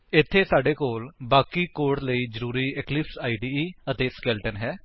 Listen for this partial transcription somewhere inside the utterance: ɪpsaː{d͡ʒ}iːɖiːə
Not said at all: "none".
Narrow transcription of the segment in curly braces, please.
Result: none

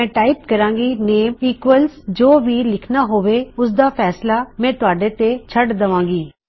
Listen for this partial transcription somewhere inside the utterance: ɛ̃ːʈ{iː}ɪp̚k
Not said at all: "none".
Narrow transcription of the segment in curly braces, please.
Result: aː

